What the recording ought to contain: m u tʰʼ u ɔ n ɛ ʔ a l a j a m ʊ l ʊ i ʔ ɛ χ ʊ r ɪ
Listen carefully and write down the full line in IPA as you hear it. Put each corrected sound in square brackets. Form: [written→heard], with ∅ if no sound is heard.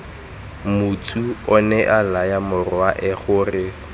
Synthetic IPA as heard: m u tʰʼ u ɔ n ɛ ʔ a l a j a m ʊ [l→r] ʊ [i→a] ʔ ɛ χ ʊ r ɪ